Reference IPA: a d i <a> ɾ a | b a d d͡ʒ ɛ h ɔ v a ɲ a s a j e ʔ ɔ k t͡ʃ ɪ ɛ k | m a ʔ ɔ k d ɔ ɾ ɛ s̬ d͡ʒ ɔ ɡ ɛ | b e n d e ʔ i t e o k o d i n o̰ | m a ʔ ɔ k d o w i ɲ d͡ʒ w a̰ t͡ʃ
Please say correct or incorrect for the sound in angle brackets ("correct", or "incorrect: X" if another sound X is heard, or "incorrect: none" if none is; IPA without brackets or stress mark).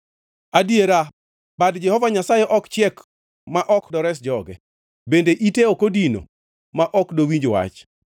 incorrect: e